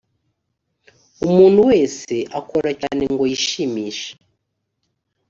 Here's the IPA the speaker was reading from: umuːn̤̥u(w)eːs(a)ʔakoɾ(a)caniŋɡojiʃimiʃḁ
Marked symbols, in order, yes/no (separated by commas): yes, no, yes